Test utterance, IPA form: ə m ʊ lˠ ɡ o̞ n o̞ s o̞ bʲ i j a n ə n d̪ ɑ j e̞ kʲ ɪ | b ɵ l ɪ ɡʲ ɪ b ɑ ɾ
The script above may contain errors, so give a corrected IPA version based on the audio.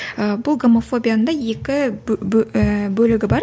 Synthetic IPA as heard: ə b ʊ lˠ ɡ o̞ m o̞ f o̞ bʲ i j a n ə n d̪ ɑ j e̞ kʲ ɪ | b ɵ l ɪ ɡʲ ɪ b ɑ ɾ